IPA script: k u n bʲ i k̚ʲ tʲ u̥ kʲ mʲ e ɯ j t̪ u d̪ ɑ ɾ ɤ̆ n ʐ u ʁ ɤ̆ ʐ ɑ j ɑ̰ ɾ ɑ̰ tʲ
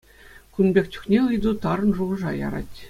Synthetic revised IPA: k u n bʲ e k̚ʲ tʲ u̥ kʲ nʲ e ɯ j d̪ u t̪ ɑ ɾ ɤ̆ n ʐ u ʁ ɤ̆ ʐ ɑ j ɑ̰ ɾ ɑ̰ tʲ